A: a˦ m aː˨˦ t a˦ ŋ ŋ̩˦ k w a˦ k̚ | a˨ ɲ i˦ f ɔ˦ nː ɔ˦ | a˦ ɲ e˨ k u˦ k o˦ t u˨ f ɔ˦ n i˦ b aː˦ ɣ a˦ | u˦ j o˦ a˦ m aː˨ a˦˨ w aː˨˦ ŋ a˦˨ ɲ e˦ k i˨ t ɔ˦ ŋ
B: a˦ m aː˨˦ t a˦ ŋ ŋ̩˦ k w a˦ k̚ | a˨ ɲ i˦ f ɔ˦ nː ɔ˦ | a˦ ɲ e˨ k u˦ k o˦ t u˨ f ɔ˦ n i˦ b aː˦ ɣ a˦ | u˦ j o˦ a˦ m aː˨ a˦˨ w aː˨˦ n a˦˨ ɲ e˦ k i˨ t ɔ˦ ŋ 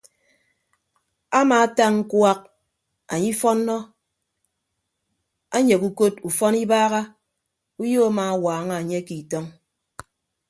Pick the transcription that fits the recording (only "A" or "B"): A